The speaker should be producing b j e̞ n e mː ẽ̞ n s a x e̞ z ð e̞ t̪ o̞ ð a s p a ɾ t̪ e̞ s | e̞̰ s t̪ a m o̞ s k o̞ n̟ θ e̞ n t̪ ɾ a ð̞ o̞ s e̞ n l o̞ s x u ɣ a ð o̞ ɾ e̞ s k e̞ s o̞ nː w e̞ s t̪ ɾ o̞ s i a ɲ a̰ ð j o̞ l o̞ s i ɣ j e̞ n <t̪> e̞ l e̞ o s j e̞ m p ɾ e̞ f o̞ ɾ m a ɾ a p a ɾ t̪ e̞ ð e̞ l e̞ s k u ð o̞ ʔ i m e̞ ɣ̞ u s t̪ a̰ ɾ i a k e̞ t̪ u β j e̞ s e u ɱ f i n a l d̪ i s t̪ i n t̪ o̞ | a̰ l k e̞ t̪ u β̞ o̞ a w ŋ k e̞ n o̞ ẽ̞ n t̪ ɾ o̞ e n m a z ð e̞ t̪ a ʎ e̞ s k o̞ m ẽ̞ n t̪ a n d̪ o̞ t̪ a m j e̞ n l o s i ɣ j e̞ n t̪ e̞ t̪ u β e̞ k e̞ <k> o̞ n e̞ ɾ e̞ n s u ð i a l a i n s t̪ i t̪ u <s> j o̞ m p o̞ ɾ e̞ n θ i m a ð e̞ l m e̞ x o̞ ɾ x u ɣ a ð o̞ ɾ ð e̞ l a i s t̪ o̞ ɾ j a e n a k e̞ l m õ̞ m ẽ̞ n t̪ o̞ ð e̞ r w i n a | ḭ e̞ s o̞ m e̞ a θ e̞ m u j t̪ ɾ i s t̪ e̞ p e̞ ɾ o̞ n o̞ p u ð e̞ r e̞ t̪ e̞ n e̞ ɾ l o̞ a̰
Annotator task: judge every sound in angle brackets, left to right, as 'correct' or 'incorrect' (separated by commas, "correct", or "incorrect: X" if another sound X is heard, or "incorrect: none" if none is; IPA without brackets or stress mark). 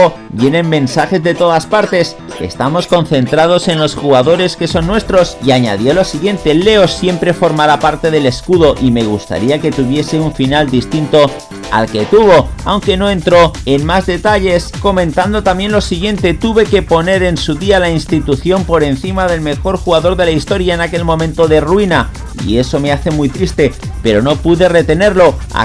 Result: correct, incorrect: p, incorrect: θ